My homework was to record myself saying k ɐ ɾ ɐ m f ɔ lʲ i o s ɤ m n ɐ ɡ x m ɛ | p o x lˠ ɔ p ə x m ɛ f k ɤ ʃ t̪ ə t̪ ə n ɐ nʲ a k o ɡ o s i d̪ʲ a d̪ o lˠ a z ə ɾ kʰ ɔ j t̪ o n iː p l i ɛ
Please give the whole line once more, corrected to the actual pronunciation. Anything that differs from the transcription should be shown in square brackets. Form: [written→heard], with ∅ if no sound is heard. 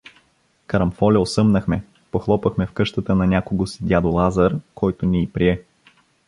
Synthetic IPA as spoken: k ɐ ɾ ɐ m f ɔ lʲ [i→ɛ] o s ɤ m n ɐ [ɡ→∅] x m ɛ | p o x lˠ ɔ p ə x m ɛ f k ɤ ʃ t̪ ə t̪ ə n ɐ nʲ a k o ɡ o s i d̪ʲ a d̪ o lˠ a z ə ɾ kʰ ɔ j t̪ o n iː p [l→ɾ] i ɛ